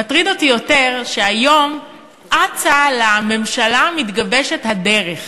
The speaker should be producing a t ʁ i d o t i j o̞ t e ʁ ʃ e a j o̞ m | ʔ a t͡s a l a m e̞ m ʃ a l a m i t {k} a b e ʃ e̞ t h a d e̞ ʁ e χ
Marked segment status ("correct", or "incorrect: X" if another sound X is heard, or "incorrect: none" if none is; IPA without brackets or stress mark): incorrect: ɡ